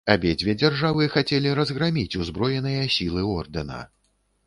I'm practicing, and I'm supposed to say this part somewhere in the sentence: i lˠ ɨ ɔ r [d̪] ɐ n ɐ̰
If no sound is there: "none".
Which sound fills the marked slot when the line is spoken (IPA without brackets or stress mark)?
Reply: d̪